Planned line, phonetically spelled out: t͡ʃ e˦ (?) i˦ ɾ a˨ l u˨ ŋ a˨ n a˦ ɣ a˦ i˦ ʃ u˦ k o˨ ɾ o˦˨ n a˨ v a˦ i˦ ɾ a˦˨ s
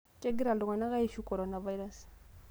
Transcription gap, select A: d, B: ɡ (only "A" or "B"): B